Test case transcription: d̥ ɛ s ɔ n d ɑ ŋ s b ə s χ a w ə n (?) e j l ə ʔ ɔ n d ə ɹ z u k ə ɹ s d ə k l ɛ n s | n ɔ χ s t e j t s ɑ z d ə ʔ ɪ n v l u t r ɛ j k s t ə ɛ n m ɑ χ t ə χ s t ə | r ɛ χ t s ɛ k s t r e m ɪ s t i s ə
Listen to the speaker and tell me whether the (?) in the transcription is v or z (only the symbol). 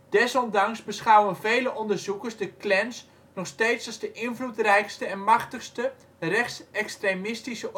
v